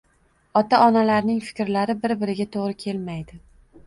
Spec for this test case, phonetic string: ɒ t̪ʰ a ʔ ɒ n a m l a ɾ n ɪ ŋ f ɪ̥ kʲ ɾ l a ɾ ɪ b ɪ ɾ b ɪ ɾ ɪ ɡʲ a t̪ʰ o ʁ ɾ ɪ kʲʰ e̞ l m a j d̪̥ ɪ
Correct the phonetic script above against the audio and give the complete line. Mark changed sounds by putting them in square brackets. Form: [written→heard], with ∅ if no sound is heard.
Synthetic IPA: ɒ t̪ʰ a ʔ ɒ n a [m→∅] l a ɾ n ɪ ŋ f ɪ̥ kʲ ɾ l a ɾ ɪ b ɪ ɾ b ɪ ɾ ɪ ɡʲ a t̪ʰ o ʁ ɾ ɪ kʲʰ e̞ l m a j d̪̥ ɪ